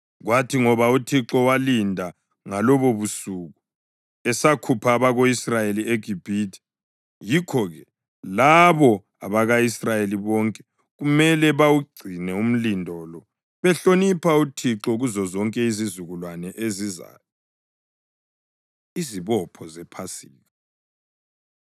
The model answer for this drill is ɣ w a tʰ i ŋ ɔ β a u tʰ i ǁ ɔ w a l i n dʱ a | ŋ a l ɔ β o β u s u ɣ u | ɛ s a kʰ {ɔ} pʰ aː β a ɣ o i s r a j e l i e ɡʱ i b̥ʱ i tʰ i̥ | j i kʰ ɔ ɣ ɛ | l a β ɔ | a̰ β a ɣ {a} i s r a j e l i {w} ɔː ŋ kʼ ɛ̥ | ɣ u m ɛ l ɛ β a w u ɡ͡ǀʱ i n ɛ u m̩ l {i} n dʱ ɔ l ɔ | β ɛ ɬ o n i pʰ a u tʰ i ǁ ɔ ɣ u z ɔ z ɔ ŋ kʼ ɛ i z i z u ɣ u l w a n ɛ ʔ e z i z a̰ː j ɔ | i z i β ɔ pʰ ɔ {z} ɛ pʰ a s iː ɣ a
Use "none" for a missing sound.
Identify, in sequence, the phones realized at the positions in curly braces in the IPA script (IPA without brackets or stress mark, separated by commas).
u, a, β, i, z